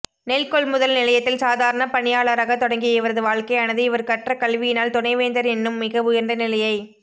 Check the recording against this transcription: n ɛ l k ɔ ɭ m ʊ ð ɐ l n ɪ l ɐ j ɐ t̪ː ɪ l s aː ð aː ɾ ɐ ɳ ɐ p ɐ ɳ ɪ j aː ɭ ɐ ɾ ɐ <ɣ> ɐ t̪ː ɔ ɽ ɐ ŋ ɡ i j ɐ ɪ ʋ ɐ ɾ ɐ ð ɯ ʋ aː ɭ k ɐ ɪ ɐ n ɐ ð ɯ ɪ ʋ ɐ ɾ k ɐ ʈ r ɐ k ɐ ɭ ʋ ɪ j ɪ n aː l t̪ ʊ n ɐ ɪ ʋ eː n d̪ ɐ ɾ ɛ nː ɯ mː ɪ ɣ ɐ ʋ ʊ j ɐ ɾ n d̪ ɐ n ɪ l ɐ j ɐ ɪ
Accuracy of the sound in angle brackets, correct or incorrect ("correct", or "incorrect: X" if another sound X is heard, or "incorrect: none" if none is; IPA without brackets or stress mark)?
correct